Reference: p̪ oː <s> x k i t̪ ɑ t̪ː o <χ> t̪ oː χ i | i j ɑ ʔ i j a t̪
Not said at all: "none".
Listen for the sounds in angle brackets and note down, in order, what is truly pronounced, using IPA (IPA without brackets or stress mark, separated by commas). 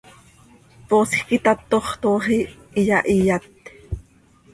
s, χ